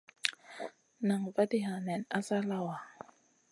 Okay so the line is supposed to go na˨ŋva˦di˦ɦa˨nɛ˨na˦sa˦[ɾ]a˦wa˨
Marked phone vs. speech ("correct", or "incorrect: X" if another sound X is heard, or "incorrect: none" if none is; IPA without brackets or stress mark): incorrect: l